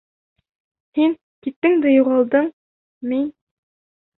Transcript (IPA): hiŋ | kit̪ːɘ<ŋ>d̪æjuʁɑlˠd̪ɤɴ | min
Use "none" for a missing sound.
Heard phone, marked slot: ŋ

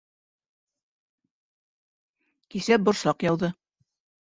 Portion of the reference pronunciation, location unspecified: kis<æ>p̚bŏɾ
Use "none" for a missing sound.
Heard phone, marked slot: æ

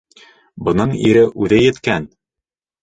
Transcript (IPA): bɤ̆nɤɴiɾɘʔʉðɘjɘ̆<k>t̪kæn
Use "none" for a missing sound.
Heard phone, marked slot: none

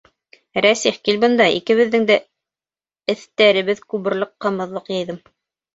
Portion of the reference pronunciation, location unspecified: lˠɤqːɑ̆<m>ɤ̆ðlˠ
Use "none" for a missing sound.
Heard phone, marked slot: m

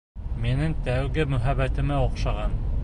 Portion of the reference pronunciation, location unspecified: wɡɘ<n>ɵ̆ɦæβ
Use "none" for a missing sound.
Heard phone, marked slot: m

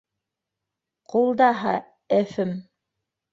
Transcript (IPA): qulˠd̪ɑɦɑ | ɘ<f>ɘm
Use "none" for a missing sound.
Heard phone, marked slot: f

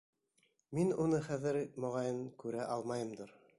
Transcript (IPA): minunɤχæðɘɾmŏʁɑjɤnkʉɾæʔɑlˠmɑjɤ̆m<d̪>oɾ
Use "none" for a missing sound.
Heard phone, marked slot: d̪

